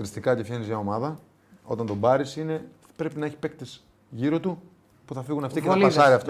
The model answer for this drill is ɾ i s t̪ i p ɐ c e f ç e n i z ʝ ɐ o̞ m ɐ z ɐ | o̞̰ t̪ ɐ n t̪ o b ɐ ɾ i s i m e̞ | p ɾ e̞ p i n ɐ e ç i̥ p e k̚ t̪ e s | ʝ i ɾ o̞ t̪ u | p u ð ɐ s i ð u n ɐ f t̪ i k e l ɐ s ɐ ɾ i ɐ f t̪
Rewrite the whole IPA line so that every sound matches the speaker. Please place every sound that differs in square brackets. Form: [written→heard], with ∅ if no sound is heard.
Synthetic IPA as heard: ɾ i s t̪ i [p→k] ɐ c e f ç e n i z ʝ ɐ o̞ m ɐ [z→ð] ɐ | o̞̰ t̪ ɐ n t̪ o b ɐ ɾ i s i [m→n] e̞ | p ɾ e̞ p i n ɐ e ç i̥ p e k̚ t̪ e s | ʝ i ɾ o̞ t̪ u | p u [ð→θ] ɐ [s→f] i [ð→ɣ] u n ɐ f t̪ i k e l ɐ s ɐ ɾ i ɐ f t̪